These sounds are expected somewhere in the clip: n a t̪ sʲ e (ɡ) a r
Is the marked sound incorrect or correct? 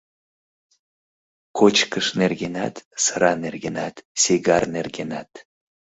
correct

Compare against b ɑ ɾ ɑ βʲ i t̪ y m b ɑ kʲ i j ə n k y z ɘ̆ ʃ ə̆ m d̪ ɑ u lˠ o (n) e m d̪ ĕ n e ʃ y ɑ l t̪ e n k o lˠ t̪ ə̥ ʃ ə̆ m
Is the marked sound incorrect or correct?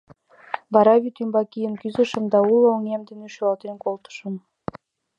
incorrect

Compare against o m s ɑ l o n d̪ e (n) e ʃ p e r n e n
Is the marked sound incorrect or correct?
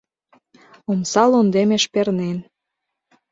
incorrect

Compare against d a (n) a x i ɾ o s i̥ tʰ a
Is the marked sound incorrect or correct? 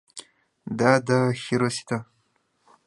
incorrect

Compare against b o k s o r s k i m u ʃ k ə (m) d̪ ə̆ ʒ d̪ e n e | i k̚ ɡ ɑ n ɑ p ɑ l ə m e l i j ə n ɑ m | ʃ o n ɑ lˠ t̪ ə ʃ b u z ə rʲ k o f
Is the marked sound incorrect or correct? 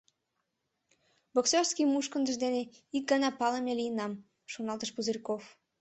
incorrect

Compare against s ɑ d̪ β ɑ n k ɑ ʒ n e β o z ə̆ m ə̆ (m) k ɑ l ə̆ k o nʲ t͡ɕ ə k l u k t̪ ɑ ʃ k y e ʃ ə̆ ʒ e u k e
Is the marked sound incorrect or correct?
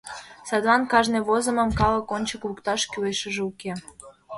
correct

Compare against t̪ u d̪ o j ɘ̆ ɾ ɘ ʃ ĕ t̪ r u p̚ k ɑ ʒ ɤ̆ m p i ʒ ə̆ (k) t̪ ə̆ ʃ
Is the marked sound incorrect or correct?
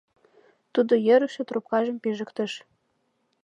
correct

